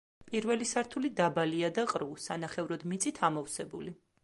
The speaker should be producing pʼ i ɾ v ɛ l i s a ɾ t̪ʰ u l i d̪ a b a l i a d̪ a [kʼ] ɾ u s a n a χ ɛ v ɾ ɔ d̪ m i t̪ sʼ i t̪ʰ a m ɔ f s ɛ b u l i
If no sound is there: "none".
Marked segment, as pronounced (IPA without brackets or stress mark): qʼ